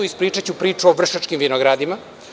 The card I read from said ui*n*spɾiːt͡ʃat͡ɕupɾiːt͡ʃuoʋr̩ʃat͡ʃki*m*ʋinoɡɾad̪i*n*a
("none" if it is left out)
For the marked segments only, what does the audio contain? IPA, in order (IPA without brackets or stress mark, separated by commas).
none, m, m